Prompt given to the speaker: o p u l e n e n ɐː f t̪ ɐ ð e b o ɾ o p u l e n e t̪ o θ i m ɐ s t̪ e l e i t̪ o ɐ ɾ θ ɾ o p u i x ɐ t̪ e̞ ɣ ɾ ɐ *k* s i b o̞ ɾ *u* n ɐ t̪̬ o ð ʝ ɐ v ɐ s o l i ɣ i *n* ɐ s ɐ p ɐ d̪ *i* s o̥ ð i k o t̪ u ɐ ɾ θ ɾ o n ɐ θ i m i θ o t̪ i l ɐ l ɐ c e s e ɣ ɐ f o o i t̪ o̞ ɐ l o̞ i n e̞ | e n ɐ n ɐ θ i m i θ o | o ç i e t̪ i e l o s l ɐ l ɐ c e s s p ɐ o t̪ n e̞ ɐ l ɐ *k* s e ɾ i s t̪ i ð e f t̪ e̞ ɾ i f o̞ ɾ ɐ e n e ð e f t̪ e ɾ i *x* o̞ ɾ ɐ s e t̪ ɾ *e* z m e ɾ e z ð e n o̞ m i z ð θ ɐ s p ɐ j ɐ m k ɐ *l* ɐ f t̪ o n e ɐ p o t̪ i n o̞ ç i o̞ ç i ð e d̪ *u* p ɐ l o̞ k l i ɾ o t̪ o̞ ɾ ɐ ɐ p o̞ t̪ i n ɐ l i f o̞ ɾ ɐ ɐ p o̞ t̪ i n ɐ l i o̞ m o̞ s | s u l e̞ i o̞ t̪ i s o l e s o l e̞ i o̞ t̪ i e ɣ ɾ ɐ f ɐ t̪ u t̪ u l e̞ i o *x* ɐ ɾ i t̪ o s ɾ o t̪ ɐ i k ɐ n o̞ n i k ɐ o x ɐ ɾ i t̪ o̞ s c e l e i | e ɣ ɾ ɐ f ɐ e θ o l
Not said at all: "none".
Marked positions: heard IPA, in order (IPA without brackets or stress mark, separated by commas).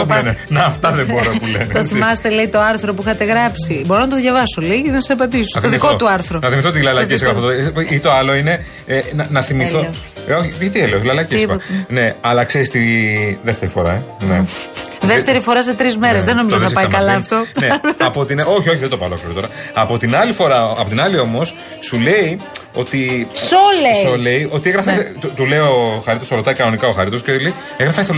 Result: p, o, n, i, k, f, i, l, o, x